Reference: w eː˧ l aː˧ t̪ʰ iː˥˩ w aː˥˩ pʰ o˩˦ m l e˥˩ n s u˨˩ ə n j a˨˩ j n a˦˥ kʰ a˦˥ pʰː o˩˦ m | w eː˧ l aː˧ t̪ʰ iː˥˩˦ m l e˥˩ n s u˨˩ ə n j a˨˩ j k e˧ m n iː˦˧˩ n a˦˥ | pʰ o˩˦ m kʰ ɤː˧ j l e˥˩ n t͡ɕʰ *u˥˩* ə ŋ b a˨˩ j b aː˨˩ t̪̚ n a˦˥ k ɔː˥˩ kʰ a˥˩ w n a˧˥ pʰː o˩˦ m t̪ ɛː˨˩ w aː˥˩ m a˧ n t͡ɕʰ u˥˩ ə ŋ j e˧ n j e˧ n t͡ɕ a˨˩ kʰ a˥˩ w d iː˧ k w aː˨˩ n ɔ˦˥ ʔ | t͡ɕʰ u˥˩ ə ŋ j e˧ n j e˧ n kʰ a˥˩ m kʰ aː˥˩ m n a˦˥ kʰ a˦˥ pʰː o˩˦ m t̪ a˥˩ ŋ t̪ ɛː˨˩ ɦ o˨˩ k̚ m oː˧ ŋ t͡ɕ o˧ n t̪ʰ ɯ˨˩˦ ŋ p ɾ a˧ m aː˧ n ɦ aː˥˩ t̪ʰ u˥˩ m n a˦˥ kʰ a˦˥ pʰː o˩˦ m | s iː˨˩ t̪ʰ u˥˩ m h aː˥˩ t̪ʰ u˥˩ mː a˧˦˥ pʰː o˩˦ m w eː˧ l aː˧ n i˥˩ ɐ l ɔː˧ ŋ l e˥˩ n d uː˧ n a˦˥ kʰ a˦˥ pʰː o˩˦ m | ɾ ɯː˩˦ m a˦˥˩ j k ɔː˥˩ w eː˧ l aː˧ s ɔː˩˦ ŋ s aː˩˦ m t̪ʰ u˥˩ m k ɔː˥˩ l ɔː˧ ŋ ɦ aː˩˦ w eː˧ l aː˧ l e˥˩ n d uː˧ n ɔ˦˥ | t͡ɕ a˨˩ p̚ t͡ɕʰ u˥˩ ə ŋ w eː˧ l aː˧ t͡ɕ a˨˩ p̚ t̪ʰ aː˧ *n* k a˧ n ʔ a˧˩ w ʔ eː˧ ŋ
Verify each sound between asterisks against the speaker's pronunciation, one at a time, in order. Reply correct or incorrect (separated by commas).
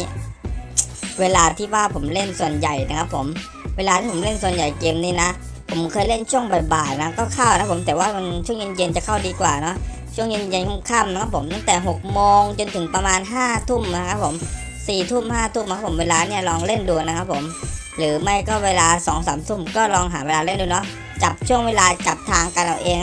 correct, incorrect